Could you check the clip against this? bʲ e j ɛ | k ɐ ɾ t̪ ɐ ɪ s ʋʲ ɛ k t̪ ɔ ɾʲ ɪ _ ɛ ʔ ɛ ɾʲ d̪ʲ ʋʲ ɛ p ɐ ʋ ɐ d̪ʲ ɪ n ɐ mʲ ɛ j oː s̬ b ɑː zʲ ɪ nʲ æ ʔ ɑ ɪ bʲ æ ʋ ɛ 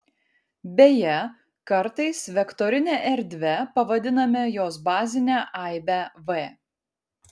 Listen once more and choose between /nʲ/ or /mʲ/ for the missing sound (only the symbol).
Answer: nʲ